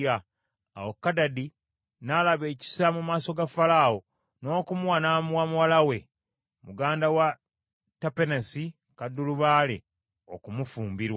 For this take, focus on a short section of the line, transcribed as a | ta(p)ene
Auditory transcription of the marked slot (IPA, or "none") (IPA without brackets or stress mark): p